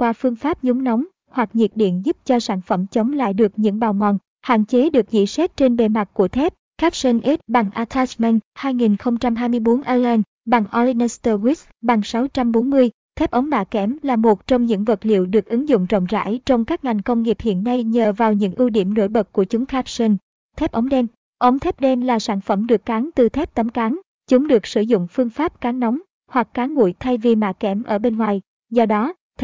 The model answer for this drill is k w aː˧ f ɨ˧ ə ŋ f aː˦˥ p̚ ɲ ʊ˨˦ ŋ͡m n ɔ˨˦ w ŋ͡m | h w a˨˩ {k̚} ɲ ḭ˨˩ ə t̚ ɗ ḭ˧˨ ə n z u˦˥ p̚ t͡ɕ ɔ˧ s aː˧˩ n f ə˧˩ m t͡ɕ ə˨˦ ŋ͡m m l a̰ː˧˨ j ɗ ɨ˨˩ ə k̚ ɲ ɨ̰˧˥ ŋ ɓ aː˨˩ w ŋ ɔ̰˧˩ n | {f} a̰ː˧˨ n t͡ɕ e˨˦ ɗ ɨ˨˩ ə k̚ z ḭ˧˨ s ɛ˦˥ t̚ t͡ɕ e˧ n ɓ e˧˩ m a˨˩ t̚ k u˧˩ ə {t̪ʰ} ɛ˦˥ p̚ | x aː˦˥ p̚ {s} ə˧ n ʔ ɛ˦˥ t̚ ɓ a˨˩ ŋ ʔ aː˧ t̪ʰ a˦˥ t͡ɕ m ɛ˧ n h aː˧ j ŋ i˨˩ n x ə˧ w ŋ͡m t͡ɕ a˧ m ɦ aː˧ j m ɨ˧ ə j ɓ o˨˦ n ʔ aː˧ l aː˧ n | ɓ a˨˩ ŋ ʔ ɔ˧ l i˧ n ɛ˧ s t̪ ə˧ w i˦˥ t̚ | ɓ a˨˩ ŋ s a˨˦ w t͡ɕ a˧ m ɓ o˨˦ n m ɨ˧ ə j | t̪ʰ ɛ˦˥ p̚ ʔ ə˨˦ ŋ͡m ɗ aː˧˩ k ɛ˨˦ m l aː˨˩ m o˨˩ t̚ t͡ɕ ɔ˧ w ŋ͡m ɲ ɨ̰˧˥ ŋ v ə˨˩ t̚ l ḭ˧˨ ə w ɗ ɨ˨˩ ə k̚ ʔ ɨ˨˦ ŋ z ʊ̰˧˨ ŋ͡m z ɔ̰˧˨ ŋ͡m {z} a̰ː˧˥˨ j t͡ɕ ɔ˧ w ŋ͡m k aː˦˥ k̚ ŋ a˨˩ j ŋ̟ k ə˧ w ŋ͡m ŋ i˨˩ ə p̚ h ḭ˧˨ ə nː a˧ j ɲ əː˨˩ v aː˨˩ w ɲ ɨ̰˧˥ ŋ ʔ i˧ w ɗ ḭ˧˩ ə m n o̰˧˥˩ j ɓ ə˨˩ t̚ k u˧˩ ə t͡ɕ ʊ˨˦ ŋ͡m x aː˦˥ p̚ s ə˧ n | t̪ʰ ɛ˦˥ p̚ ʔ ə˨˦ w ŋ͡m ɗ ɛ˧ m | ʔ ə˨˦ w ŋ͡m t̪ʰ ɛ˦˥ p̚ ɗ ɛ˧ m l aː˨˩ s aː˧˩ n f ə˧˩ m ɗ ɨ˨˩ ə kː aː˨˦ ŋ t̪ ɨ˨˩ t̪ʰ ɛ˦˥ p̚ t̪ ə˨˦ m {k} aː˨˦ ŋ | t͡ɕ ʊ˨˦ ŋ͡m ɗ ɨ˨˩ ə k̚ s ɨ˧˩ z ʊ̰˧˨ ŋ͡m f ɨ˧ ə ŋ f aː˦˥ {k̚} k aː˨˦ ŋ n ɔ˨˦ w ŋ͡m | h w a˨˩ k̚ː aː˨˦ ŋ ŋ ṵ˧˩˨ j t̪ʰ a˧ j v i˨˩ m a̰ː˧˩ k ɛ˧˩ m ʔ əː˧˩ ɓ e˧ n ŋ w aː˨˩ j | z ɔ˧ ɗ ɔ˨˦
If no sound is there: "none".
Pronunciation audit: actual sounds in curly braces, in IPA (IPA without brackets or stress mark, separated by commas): k̚, h, t̪ʰ, s, z, k, p̚